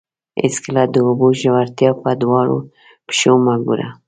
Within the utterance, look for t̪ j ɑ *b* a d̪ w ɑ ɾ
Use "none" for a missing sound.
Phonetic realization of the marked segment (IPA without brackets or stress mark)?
p